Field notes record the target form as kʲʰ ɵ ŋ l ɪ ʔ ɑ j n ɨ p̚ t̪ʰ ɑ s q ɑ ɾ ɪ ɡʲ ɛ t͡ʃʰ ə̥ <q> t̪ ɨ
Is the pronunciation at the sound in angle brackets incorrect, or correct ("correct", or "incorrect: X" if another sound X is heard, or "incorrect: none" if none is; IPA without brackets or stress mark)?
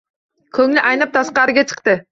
correct